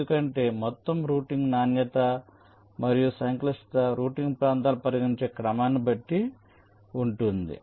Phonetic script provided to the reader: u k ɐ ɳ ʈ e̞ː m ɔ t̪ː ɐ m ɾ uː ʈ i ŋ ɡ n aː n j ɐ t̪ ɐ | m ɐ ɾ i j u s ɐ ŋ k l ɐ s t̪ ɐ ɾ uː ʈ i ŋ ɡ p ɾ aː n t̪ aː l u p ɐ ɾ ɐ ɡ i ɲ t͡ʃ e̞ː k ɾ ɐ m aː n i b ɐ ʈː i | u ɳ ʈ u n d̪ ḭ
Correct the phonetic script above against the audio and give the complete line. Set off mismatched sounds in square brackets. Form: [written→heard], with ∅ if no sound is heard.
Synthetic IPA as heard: u k ɐ ɳ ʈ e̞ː m ɔ t̪ː ɐ m ɾ uː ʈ i ŋ ɡ n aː n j ɐ t̪ ɐ | m ɐ ɾ i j u s ɐ ŋ k l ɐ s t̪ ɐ ɾ uː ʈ i ŋ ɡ p ɾ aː n t̪ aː l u p ɐ ɾ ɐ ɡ i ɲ t͡ʃ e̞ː k ɾ ɐ m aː n i b ɐ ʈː i | u ɳ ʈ u n d̪ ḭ